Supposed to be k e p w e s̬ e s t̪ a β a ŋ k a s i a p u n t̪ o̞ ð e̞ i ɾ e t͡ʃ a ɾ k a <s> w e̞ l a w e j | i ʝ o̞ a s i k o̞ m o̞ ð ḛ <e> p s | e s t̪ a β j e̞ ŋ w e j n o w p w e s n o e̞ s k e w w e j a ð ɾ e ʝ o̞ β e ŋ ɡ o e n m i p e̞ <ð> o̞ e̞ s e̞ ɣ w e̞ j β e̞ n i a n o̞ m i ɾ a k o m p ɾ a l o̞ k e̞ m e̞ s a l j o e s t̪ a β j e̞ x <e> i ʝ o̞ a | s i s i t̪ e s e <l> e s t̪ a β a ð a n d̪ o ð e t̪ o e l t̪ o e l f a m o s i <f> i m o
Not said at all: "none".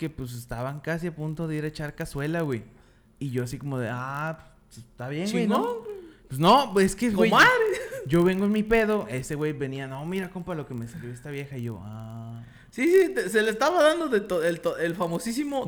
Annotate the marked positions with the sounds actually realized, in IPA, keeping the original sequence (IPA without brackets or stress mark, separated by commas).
s, a, ð, a, l, s